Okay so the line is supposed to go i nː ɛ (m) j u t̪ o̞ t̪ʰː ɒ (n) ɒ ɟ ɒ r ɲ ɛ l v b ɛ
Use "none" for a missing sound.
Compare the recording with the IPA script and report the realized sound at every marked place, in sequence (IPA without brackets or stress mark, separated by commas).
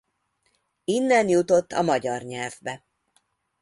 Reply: n, m